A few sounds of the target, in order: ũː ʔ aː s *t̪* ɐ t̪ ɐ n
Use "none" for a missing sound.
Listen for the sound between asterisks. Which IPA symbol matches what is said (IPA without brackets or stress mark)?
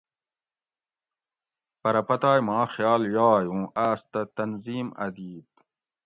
t̪